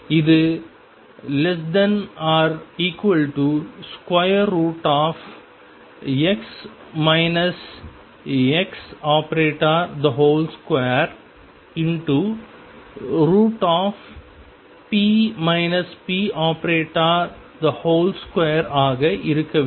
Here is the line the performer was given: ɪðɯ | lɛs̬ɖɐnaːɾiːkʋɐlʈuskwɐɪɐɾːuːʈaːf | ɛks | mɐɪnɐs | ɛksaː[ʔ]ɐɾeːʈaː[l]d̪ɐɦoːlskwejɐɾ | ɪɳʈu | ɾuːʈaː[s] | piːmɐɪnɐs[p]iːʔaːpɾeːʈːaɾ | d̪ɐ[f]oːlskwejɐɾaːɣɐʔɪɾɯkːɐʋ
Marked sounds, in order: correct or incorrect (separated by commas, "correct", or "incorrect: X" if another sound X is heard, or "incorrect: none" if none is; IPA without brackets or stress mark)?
incorrect: p, incorrect: ɾ, incorrect: f, correct, incorrect: h